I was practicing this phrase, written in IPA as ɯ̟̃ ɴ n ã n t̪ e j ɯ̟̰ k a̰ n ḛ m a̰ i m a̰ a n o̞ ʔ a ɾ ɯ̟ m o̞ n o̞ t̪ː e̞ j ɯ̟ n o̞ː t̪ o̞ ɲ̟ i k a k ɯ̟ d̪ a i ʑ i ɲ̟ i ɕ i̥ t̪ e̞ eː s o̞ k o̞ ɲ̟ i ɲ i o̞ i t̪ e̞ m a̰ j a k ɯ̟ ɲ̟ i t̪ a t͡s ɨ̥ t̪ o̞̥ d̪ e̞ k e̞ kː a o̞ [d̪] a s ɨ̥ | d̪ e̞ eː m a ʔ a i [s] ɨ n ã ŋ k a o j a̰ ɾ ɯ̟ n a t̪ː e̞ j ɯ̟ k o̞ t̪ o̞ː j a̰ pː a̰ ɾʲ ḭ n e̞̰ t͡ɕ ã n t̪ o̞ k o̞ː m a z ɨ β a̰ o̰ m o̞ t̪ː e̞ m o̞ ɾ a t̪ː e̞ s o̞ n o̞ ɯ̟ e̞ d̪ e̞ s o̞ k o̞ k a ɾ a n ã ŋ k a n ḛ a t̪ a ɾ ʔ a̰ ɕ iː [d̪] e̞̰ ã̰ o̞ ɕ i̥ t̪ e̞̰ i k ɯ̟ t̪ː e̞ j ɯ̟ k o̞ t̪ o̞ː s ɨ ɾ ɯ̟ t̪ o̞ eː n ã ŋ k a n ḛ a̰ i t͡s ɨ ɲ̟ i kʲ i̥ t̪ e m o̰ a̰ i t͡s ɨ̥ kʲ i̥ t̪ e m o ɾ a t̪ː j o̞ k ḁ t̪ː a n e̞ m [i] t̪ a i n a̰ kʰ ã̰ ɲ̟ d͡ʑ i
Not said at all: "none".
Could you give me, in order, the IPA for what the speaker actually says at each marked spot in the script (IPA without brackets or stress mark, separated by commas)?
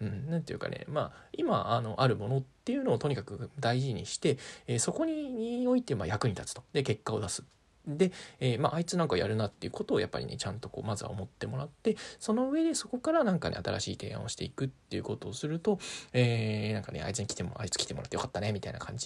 d̪, t͡s, t̪, i